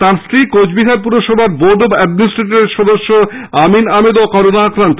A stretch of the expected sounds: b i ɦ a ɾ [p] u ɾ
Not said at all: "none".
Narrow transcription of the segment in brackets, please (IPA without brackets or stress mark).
p